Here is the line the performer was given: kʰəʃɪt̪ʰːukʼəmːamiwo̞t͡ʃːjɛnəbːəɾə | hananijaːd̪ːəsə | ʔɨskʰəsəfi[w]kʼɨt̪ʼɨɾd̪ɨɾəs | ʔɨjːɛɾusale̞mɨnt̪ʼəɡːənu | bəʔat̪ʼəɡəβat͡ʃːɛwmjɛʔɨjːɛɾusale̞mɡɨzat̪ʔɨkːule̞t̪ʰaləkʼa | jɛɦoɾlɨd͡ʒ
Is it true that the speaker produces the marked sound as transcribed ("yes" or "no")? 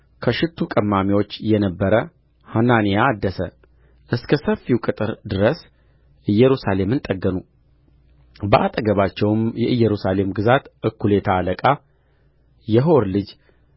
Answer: yes